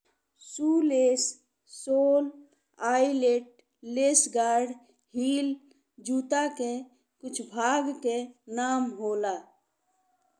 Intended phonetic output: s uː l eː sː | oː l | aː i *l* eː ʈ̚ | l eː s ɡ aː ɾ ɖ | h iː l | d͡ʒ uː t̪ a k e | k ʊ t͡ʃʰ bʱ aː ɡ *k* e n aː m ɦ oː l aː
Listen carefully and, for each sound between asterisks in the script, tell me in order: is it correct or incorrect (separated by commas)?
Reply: correct, correct